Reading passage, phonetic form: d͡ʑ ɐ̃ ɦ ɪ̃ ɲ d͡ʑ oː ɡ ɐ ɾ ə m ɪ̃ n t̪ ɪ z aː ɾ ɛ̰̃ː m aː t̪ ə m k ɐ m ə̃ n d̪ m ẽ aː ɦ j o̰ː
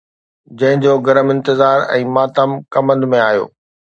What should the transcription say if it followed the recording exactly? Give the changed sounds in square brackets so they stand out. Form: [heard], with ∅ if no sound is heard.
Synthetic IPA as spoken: d͡ʑ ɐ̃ ɦ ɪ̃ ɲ d͡ʑ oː ɡ ɐ ɾ ə m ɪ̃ n t̪ ɪ z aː ɾ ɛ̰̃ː m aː t̪ ə m k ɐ m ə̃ n d̪ m ẽ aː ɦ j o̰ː